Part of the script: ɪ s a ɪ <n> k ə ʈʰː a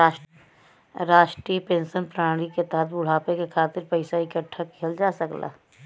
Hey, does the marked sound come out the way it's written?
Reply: no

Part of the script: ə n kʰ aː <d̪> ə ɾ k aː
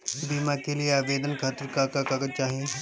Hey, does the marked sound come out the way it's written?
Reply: no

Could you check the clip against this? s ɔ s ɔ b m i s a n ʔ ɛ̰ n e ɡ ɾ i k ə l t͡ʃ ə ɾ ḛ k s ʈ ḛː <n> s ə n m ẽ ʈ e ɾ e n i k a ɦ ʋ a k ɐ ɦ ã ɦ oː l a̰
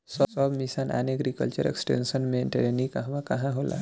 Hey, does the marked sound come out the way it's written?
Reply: yes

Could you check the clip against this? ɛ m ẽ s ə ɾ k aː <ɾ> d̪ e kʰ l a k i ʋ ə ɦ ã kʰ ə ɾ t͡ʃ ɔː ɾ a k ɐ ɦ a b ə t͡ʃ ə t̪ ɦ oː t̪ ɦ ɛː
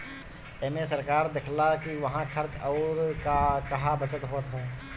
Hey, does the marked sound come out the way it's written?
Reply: yes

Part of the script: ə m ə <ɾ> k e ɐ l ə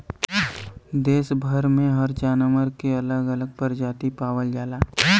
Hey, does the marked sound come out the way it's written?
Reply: yes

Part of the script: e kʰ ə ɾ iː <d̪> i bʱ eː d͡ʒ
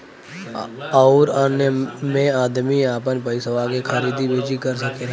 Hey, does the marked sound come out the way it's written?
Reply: yes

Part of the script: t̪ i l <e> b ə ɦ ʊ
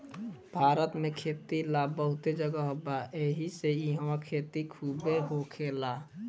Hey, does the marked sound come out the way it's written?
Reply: no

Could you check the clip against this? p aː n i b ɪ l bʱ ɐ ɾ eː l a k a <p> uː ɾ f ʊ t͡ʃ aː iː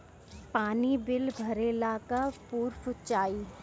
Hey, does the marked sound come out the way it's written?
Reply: yes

